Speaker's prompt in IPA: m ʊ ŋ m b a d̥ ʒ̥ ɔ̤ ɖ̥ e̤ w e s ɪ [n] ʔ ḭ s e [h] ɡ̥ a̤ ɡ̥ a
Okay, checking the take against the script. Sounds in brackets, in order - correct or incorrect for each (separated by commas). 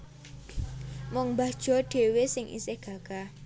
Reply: incorrect, correct